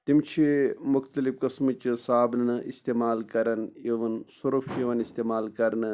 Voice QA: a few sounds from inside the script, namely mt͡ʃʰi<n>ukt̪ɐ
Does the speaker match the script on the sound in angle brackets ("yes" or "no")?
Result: no